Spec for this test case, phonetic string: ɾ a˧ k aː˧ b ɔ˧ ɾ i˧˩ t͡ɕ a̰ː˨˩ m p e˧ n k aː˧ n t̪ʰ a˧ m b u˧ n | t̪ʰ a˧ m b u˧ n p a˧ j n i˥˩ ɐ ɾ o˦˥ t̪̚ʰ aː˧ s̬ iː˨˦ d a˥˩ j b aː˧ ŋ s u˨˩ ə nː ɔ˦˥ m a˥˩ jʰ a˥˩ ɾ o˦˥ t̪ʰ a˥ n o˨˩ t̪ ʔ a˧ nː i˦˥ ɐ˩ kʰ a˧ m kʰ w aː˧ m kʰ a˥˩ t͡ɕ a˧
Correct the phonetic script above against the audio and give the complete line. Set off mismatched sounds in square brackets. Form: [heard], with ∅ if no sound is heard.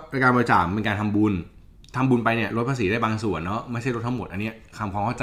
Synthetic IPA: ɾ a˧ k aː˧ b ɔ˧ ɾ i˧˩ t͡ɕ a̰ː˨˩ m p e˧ n k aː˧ n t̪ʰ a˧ m b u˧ n | t̪ʰ a˧ m b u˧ n p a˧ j n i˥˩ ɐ ɾ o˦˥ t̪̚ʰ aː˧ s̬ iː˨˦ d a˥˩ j b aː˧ ŋ s u˨˩ ə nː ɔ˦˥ m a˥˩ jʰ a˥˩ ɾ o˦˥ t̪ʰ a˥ [m] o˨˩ t̪ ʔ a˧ nː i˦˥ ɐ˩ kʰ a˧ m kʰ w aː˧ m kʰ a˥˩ t͡ɕ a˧